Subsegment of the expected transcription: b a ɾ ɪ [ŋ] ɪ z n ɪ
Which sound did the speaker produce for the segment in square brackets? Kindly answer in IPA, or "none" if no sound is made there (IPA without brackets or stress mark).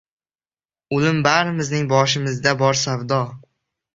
m